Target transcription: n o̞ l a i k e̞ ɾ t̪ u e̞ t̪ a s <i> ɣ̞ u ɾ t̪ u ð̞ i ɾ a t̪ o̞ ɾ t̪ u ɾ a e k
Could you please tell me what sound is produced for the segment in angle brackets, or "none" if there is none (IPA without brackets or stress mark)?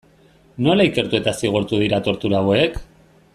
i